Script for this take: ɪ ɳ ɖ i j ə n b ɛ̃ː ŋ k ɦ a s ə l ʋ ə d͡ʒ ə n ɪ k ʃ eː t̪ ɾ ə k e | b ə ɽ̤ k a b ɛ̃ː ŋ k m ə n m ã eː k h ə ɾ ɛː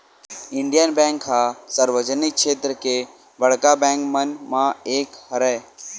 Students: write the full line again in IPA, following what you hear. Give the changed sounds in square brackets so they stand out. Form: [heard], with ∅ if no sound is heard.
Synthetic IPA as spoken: ɪ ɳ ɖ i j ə n b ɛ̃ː ŋ k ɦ a s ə [ɾ] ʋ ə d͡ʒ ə n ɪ k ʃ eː t̪ ɾ ə k e | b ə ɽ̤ k a b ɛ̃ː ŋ k m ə n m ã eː k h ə ɾ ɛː